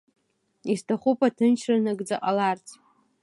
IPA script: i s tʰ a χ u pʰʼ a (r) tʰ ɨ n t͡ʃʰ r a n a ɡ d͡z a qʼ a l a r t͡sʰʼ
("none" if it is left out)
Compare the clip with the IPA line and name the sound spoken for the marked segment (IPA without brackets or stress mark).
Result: none